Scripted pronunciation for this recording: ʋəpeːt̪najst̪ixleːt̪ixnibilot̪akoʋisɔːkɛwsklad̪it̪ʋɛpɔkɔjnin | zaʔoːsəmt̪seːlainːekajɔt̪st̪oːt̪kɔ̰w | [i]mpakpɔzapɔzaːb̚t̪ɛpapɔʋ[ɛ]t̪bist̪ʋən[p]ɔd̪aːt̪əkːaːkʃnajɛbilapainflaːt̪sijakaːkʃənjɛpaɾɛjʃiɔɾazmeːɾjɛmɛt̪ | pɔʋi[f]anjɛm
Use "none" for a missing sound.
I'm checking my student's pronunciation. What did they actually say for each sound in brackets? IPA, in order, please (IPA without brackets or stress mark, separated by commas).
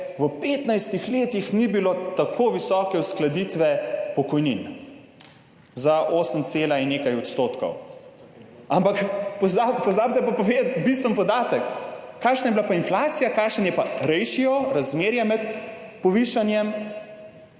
a, e, p, ʃ